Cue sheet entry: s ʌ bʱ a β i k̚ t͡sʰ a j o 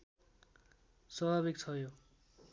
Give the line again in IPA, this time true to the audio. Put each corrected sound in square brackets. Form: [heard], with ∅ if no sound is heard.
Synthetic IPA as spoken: s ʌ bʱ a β i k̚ t͡sʰ [ʌ] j o